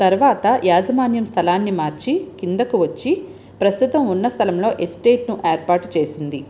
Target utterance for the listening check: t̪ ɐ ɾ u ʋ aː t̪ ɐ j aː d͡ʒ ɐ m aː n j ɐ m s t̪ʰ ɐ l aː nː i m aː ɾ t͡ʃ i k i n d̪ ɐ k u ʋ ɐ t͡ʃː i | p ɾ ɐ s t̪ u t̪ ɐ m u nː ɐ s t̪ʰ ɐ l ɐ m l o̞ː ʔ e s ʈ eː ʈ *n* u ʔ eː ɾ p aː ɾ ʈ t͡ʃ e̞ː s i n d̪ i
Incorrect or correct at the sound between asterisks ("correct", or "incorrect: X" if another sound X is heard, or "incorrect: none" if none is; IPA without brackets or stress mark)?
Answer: correct